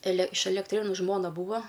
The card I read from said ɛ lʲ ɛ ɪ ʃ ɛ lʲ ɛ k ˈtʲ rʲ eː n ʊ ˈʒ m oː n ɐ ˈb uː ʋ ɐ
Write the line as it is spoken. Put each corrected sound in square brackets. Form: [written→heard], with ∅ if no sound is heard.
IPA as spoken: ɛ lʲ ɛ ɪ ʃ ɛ lʲ ɛ k ˈtʲ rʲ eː n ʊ ˈʒ m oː n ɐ ˈb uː ʋ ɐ